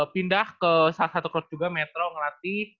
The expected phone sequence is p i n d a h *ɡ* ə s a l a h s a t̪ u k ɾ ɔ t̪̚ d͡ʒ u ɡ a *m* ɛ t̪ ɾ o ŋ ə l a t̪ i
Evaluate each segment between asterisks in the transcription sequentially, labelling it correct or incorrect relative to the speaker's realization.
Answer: incorrect, correct

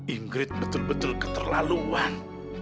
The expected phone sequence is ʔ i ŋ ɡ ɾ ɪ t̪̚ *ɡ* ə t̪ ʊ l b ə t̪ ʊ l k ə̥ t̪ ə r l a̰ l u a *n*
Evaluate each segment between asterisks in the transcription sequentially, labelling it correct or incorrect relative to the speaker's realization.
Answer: incorrect, correct

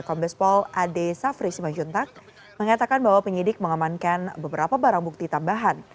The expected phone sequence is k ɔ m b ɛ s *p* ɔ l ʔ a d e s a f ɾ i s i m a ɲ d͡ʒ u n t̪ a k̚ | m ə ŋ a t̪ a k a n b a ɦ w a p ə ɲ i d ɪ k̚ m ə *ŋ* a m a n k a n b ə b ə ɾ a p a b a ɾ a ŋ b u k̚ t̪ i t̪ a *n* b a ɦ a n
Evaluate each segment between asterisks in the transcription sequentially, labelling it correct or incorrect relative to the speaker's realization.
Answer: correct, correct, incorrect

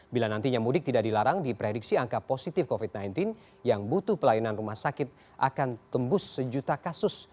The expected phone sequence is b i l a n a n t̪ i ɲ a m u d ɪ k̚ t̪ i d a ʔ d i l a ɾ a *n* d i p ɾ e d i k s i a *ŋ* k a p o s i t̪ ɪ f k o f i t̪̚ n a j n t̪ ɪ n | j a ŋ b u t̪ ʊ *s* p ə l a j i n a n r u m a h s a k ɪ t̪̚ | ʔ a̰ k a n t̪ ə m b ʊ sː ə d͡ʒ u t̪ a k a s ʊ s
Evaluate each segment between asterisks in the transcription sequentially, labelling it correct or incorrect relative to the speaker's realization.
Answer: incorrect, correct, incorrect

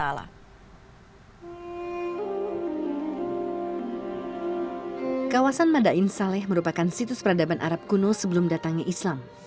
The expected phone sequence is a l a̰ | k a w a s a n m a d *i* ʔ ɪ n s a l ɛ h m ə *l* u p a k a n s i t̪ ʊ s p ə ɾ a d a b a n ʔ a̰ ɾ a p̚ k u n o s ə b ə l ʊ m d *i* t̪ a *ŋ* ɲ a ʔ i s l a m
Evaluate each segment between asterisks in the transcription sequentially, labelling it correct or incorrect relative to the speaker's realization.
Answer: incorrect, incorrect, incorrect, correct

